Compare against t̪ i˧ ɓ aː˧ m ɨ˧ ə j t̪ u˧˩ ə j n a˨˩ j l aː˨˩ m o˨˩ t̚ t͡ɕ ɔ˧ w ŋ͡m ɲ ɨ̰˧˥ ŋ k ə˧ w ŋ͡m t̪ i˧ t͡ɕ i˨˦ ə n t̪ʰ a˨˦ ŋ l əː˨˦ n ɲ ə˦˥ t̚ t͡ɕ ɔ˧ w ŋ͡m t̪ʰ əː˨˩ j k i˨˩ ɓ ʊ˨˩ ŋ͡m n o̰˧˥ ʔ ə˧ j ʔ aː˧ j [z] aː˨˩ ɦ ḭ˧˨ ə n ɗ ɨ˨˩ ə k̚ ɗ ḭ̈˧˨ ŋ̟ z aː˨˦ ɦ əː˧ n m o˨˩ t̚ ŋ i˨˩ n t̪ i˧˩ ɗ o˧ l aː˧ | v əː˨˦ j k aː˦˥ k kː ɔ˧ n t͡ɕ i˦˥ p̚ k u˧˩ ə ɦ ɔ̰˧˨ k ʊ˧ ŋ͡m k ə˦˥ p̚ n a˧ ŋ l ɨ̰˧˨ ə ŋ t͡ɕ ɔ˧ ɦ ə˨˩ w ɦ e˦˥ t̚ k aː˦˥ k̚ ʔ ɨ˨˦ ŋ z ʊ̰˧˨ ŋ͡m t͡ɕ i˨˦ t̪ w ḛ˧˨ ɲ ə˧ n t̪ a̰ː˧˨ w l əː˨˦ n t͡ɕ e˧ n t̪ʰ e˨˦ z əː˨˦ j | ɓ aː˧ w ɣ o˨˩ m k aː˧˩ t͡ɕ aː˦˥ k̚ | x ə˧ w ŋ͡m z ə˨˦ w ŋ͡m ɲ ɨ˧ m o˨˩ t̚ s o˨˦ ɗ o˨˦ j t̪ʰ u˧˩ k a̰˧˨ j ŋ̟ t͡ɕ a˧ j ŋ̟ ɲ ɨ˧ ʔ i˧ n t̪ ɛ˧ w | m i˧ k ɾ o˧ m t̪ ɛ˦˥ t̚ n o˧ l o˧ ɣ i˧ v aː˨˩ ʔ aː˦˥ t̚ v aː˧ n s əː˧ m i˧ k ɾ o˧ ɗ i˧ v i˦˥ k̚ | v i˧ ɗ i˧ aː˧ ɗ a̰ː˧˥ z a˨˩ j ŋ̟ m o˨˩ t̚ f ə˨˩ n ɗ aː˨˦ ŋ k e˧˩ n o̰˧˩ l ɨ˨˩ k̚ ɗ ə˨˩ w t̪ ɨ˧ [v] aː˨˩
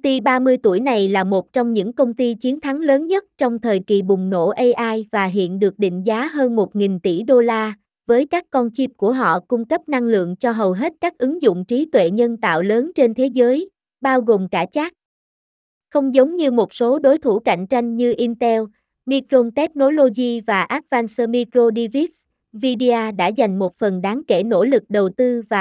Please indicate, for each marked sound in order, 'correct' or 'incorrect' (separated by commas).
incorrect, correct